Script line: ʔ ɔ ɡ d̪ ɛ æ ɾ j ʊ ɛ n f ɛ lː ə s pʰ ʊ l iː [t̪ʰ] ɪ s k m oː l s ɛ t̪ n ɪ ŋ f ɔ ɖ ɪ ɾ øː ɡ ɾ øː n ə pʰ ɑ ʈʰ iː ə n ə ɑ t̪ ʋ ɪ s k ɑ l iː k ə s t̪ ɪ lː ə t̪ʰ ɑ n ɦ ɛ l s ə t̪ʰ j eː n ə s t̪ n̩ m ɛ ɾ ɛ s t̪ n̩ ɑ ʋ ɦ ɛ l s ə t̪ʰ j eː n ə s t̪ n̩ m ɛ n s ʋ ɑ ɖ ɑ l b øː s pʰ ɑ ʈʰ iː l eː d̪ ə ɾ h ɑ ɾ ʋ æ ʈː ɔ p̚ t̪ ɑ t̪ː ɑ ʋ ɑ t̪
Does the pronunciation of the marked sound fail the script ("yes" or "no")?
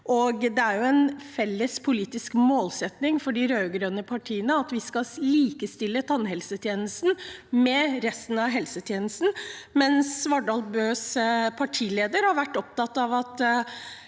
yes